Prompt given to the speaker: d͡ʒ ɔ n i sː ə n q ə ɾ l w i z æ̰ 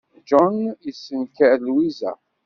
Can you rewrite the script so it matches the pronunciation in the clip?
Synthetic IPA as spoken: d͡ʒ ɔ n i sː ə n k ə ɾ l w i z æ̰